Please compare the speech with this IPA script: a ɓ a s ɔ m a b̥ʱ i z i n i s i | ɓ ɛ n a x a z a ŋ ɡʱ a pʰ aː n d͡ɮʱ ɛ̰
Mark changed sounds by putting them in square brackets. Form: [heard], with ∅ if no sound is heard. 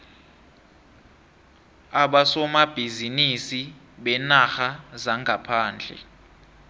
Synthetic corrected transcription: a ɓ a s ɔ m a b̥ʱ i z i n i s i | ɓ ɛ n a x a z a ŋ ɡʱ a pʰ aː n d͡ɮʱ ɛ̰